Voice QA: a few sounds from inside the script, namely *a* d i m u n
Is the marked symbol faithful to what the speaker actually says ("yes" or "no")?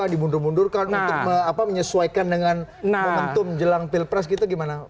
yes